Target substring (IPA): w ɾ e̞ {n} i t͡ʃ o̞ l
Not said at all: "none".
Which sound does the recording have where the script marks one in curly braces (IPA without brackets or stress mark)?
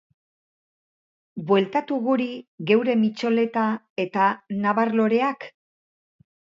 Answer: m